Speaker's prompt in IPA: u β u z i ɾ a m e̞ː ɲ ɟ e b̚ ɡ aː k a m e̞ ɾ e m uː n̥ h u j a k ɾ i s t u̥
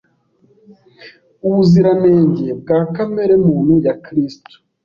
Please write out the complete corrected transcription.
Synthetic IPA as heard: u β u z i ɾ a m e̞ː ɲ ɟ e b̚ ɡ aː k a m e̞ ɾ e m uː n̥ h u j a k ɾ i s t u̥